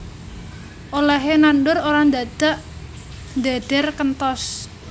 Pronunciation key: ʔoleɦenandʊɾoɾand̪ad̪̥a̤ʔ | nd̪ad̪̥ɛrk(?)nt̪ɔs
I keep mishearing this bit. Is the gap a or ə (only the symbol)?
ə